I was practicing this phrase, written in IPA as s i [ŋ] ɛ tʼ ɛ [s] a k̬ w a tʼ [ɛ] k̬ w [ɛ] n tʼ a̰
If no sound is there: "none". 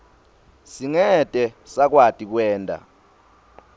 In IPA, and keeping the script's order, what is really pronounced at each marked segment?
ŋ, s, i, ɛː

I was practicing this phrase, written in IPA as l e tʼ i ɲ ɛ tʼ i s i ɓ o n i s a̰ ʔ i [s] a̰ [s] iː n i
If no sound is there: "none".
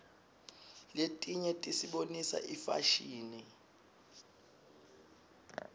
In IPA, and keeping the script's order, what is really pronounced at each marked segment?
f, ʃ

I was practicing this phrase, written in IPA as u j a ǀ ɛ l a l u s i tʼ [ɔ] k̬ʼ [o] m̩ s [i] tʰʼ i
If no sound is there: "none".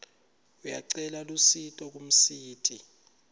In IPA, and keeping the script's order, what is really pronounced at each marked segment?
ɔ, u, iː

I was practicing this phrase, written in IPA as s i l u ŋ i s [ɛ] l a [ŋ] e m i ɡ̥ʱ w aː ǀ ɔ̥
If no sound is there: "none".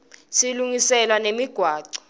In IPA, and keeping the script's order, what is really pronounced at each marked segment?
ɛ, n

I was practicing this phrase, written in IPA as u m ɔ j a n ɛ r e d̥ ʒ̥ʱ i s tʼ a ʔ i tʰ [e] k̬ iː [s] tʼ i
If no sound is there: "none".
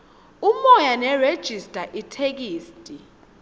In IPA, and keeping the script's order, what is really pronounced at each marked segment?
e, s

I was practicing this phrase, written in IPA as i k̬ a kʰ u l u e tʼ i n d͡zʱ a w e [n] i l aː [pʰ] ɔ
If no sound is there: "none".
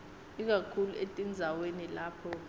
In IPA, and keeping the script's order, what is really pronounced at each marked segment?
n, pʰ

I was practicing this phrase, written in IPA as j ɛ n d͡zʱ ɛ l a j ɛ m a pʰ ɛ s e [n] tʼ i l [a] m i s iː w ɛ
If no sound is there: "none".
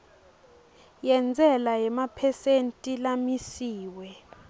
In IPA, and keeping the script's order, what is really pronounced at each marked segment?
n, a

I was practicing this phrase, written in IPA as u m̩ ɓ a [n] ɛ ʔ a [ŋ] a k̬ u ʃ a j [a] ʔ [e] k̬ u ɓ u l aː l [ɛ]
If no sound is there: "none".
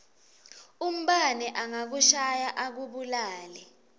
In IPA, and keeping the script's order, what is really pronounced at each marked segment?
n, ŋ, a, a, ɛ

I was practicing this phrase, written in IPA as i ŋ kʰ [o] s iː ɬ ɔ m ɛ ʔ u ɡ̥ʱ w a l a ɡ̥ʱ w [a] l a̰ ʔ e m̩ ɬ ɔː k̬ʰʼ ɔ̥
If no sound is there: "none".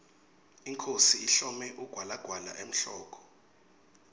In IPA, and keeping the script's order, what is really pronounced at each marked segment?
o, a

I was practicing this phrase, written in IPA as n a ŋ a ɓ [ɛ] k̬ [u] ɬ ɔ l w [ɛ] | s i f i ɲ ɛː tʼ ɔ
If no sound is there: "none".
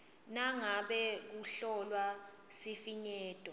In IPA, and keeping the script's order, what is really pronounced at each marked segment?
ɛ, u, a

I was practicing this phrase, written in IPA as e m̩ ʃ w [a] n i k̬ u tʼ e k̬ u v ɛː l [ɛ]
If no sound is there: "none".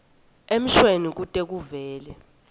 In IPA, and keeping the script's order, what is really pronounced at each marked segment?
e, ɛ

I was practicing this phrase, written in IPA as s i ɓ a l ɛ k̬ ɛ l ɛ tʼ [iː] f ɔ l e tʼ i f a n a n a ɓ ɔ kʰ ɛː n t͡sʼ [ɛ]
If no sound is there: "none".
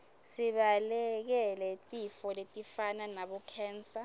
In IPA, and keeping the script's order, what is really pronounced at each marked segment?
i, a

